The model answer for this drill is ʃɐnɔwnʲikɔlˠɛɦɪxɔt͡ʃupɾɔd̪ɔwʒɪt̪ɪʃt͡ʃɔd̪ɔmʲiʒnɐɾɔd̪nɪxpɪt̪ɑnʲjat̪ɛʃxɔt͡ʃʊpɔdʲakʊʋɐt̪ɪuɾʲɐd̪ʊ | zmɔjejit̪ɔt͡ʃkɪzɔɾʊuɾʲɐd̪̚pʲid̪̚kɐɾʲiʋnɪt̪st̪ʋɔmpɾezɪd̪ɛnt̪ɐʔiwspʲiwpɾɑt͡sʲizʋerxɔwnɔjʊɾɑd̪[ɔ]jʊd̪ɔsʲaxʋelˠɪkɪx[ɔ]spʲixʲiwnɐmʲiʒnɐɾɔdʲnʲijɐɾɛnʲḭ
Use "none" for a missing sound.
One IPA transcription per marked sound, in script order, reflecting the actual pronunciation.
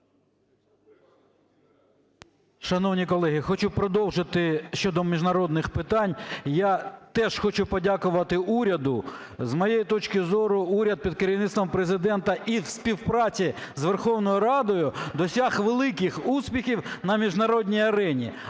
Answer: ɔ, u

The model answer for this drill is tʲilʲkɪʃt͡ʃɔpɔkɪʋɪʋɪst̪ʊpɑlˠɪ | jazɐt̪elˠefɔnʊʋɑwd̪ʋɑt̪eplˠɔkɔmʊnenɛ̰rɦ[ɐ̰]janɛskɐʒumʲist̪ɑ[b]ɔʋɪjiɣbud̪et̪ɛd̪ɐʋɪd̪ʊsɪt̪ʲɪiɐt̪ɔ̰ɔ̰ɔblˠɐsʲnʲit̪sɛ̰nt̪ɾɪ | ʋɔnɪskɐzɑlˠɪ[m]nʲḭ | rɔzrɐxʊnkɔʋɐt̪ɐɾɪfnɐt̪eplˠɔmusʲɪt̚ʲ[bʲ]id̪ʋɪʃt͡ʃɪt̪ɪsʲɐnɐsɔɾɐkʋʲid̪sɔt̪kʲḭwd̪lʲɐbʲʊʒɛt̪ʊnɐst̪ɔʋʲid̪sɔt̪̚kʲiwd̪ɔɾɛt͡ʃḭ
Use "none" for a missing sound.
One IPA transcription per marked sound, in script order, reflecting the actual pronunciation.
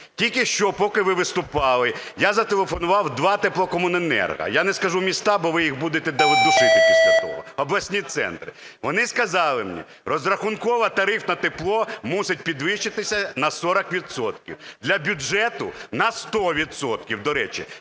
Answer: ɐ̰, b, m, pʲ

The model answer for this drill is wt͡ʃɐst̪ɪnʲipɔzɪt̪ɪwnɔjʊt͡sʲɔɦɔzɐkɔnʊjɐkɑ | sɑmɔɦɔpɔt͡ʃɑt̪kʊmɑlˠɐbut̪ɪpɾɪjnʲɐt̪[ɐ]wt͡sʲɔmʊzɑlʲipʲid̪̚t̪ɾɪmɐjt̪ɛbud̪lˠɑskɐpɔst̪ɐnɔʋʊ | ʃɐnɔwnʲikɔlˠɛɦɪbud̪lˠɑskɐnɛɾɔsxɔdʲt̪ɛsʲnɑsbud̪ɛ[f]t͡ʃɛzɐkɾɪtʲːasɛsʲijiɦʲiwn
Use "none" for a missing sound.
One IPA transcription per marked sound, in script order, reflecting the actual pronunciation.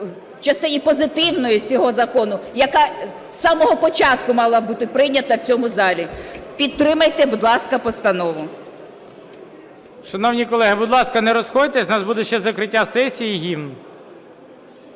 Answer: ɐ, ʃ

